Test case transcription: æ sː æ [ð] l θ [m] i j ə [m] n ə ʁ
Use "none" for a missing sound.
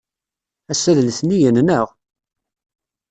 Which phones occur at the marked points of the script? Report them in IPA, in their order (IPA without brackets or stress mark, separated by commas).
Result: ð, n, n